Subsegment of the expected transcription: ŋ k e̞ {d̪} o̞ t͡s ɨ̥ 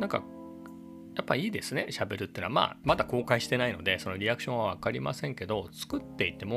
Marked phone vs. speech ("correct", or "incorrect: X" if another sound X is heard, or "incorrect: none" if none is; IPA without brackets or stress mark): correct